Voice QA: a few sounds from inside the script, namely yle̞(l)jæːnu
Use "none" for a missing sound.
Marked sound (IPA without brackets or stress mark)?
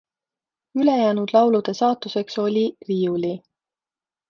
none